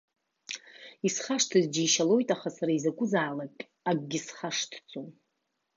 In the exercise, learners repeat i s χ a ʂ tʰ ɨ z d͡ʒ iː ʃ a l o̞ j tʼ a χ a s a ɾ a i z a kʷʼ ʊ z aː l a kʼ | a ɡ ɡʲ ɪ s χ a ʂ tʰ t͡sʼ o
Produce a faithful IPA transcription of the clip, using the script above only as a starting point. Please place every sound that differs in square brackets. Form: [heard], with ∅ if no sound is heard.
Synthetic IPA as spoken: i s χ a ʂ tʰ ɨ z d͡ʒ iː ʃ a l o̞ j tʼ a χ a s a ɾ a i z a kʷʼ ʊ z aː l a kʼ | a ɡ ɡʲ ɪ s χ a ʂ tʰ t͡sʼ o